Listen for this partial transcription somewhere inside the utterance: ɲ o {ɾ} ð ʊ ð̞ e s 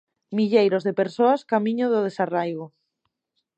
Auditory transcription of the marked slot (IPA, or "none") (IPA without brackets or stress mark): none